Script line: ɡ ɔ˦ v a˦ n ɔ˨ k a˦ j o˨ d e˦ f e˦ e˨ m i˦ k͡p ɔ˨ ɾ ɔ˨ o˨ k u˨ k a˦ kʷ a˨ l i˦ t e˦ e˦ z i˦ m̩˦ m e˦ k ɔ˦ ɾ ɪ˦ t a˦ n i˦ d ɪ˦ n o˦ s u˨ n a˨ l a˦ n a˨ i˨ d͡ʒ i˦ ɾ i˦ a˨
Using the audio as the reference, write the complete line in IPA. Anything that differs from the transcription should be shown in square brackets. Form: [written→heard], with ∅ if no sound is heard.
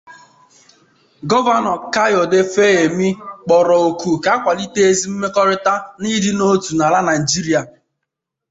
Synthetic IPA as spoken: ɡ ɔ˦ v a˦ n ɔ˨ k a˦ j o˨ d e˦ f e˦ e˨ m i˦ k͡p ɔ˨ ɾ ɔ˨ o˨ k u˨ k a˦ kʷ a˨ l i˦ t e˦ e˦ z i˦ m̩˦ m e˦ k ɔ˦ ɾ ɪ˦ t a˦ n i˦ d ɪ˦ n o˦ [s→t] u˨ n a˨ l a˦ n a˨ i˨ d͡ʒ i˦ ɾ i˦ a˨